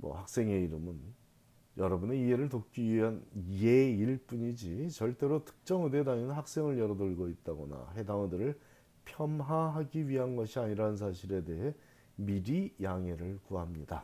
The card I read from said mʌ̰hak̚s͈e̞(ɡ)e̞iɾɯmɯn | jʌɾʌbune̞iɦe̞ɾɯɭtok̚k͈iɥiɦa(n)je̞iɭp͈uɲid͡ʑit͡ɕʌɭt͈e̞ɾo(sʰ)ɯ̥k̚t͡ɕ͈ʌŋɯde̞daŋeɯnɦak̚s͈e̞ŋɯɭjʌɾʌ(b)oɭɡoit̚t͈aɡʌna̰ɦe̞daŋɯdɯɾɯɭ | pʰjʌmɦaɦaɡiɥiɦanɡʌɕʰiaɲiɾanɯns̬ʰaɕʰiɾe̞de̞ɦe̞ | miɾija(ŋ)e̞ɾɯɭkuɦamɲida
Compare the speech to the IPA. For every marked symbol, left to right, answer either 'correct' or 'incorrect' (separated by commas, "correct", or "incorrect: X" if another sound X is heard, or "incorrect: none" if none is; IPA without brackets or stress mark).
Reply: incorrect: ŋ, correct, incorrect: tʰ, incorrect: d, correct